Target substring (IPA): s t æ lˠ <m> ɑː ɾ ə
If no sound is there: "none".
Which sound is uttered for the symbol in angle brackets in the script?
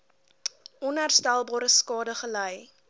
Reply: b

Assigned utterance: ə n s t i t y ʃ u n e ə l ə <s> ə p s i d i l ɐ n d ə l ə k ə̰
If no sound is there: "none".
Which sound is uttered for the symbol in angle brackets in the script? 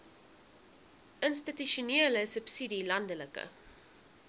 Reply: s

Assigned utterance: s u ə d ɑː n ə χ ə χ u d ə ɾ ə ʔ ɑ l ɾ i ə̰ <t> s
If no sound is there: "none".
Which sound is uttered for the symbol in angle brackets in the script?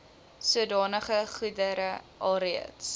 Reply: t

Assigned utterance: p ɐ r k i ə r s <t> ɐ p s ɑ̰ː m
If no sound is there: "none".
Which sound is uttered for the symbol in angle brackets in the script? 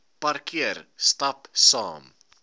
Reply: t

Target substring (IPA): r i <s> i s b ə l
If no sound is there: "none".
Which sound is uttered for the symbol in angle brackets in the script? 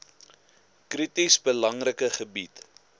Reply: t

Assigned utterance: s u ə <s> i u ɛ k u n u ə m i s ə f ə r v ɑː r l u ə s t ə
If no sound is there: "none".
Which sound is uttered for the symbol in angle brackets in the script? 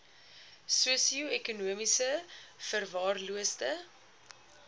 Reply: s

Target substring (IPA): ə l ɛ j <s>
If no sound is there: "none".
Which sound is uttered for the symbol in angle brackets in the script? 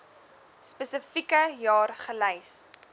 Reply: s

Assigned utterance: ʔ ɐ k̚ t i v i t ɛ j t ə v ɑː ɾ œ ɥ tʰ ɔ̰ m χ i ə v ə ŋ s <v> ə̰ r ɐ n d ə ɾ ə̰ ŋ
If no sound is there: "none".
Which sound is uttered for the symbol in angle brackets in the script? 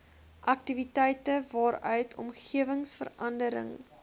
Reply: f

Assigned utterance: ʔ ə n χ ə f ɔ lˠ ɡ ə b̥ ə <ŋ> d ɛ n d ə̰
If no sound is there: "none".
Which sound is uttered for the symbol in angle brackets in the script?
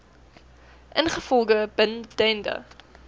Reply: n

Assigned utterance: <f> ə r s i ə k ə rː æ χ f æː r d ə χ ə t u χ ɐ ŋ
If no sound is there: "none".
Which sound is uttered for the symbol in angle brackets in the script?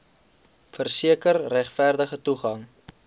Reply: f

